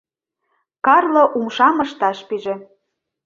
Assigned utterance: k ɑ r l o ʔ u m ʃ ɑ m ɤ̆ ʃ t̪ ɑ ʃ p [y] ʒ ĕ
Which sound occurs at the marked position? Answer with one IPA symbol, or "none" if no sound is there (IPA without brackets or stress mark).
i